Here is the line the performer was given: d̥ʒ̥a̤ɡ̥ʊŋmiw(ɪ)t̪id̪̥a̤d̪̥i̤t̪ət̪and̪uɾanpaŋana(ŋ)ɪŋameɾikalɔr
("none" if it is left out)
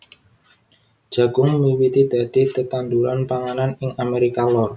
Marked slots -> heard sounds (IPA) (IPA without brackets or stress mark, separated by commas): i, n